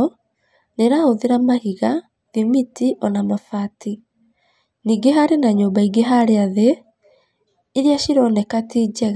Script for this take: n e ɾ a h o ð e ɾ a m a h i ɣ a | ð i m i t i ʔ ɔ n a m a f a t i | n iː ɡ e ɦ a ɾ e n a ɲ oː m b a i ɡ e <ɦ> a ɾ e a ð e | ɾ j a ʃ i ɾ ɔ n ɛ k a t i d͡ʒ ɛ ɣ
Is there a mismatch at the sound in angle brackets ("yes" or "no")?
no